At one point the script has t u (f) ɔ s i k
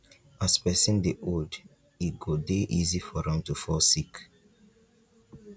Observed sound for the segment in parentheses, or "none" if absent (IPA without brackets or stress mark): f